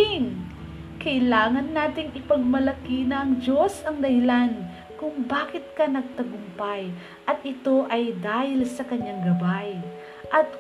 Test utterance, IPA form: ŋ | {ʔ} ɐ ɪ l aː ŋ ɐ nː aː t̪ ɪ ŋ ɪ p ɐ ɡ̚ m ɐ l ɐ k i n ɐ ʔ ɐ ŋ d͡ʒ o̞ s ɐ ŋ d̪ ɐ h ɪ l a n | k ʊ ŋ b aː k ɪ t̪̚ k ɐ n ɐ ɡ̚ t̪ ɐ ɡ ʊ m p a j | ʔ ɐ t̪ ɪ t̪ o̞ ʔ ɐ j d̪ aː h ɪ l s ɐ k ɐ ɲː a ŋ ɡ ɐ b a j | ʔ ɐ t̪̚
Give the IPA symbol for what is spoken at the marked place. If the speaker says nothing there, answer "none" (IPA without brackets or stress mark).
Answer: k